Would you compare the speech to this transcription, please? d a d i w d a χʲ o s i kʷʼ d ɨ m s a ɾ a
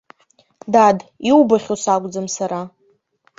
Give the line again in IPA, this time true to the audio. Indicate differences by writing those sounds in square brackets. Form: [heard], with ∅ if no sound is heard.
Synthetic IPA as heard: d a d i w [b] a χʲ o s [a] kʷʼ [d͡z] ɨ m s a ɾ a